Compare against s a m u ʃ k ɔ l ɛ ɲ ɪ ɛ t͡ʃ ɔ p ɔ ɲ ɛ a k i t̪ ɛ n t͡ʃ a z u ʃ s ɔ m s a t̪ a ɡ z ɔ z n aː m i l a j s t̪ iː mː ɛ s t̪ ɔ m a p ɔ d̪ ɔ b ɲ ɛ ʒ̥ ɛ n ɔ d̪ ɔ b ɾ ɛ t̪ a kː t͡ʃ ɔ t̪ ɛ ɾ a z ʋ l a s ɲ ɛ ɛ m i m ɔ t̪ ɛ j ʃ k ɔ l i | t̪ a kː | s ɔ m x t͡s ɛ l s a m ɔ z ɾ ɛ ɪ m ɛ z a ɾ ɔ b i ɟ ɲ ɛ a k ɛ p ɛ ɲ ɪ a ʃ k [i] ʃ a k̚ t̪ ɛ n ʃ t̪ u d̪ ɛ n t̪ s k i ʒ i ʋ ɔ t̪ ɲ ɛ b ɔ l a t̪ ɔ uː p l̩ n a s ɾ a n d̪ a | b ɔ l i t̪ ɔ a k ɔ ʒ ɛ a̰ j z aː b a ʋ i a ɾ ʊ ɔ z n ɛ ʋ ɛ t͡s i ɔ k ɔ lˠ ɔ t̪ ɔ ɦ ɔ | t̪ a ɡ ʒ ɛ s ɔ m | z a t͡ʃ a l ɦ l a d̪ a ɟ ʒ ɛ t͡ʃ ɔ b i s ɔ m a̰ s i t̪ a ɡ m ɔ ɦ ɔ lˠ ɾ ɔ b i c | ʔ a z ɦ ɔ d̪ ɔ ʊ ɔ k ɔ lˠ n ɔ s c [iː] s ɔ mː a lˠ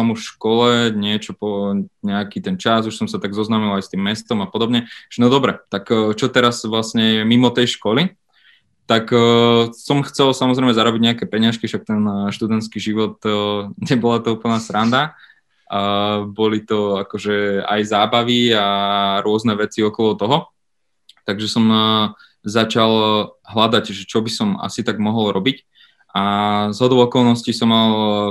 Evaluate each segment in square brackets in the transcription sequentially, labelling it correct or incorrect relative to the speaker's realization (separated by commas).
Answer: correct, incorrect